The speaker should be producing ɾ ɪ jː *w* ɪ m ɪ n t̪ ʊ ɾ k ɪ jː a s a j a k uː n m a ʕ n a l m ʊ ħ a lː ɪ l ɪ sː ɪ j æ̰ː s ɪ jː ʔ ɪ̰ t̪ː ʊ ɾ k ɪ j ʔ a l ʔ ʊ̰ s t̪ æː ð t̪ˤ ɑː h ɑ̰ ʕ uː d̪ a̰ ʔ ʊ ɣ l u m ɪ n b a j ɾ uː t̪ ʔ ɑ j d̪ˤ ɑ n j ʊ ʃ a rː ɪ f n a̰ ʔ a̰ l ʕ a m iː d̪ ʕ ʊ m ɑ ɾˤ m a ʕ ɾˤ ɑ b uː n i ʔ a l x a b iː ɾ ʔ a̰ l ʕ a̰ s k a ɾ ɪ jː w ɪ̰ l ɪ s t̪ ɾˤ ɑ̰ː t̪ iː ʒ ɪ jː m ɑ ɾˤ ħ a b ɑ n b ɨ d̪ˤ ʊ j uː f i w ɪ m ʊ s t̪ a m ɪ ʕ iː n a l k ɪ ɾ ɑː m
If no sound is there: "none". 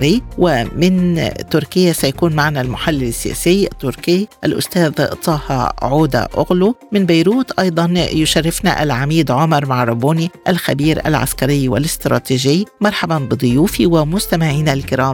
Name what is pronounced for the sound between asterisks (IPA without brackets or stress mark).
w